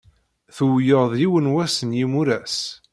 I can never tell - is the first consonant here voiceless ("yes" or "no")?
yes